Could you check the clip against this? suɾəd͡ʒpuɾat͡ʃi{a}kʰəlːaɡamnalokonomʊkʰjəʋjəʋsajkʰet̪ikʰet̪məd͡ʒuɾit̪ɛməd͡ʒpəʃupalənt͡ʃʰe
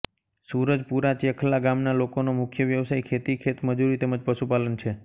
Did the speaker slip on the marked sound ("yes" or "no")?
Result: yes